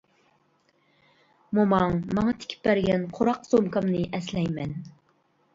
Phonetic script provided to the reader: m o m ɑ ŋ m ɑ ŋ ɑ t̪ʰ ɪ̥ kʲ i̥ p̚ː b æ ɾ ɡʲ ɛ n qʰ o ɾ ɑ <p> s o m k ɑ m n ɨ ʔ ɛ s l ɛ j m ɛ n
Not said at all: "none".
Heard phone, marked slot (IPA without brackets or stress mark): q